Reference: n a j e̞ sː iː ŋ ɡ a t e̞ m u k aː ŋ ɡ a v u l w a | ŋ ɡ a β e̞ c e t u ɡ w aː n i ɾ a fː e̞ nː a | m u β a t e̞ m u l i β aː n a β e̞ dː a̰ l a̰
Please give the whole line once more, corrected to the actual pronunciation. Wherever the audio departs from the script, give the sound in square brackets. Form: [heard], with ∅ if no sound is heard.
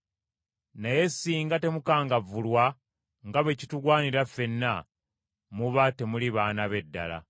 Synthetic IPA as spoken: n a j e̞ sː iː ŋ ɡ a t e̞ m u k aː ŋ ɡ a v u l w a | ŋ ɡ a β e̞ c [i] t u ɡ w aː n i ɾ a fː e̞ nː a | m u β a t e̞ m u l i β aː n a β e̞ dː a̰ l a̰